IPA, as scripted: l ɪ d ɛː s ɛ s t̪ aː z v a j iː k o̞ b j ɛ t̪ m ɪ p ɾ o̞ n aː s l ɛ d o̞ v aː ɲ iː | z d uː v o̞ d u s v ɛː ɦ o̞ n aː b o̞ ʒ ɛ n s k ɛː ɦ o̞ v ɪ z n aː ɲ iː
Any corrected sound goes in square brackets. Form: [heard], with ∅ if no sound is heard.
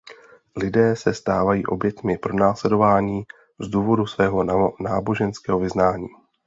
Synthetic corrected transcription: l ɪ d ɛː s ɛ s t̪ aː [∅] v a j iː [ʔ] o̞ b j ɛ t̪ m ɪ p ɾ o̞ n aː s l ɛ d o̞ v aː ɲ iː | z d uː v o̞ d u s v ɛː ɦ o̞ n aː b o̞ ʒ ɛ n s k ɛː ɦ o̞ v ɪ z n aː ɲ iː